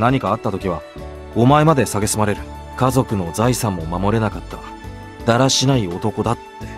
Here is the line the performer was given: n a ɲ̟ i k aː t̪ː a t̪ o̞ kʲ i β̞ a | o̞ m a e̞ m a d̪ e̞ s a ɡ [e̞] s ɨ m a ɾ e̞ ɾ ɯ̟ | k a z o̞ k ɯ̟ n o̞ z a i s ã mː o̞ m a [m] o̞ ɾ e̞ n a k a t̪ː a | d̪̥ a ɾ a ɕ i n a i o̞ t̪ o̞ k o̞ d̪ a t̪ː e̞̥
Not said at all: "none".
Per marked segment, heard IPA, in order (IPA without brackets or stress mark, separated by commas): e̞, m